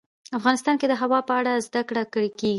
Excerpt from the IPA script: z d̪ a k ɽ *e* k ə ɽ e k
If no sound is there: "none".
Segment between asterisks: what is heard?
a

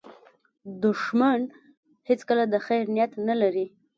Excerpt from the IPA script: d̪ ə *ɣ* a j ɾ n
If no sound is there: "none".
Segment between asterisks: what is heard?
x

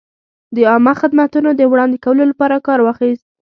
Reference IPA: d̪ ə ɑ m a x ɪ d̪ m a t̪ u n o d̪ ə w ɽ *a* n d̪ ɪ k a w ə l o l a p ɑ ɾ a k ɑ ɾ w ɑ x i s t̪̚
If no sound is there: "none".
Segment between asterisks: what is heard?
ɑ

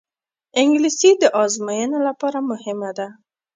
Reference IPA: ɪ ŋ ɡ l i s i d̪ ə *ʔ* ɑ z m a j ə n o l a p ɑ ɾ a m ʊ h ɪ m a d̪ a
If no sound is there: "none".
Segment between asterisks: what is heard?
ʔ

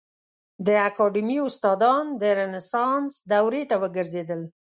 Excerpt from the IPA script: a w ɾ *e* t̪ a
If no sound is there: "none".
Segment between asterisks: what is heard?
e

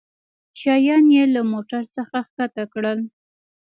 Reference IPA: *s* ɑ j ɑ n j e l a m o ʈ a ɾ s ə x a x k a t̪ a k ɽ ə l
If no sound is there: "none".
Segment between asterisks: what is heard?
ʃ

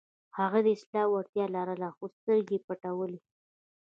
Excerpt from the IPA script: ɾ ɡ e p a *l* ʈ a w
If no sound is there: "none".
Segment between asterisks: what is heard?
none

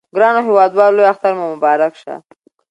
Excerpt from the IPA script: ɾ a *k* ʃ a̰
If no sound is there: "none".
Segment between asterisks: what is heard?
k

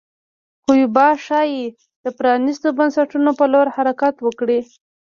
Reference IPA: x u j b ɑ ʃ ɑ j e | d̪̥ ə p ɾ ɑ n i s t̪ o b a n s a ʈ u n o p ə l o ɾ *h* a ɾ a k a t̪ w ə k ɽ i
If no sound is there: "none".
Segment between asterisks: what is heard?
h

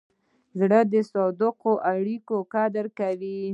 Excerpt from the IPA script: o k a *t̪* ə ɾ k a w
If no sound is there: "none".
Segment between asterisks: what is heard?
d̪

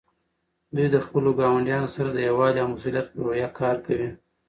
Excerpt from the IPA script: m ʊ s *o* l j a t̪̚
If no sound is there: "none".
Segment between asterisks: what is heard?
u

